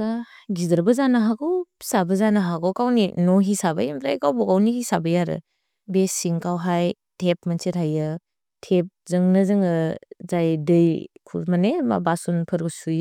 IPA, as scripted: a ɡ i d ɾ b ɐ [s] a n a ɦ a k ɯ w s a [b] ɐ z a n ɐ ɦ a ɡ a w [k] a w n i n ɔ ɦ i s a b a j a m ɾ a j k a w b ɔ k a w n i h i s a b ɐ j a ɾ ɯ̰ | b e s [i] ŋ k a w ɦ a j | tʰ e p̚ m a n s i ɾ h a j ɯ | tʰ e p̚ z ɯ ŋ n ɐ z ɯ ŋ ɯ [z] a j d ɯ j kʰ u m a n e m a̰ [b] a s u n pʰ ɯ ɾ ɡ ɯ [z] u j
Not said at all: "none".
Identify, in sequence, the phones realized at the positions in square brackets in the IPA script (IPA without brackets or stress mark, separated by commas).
z, b, k, i, z, b, s